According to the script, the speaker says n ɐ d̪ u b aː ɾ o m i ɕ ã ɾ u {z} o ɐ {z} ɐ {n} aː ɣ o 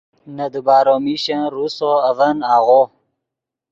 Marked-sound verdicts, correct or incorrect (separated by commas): incorrect, incorrect, correct